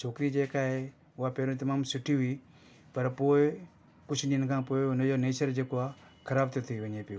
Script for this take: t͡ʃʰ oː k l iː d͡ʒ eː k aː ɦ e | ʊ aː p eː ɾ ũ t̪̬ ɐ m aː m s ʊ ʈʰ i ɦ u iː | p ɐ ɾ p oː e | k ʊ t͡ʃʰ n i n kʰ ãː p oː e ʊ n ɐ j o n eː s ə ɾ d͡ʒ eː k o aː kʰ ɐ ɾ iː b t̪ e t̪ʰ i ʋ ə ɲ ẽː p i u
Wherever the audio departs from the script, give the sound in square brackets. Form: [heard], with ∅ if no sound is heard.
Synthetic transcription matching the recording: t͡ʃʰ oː k [ɾ] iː d͡ʒ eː k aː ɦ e | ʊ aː p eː ɾ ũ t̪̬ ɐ m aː m s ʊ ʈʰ i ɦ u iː | p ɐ ɾ p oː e | k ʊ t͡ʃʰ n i n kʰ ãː p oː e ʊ n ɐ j o n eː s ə ɾ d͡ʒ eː k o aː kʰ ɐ ɾ [aː] b t̪ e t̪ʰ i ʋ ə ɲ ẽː p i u